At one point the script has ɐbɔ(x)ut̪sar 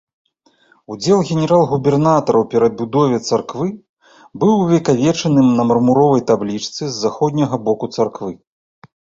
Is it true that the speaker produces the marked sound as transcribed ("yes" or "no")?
no